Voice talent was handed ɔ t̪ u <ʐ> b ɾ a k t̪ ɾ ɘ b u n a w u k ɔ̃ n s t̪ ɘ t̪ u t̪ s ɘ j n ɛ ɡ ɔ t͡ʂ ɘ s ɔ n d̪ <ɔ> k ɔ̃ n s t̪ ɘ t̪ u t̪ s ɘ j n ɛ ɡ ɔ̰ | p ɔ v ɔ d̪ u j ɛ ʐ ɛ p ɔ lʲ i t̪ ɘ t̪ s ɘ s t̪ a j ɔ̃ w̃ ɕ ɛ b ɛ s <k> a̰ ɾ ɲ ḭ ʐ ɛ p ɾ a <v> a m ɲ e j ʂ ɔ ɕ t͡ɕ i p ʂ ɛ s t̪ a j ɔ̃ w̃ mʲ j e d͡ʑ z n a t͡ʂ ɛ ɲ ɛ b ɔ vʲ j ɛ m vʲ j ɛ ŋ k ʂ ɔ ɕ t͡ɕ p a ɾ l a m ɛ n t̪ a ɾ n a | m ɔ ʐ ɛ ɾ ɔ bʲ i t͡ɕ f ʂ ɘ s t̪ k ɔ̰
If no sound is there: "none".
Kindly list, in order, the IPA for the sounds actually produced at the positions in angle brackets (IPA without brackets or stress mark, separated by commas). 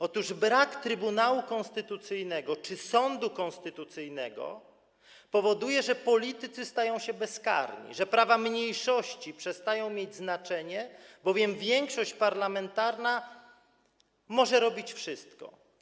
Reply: ʐ, u, k, v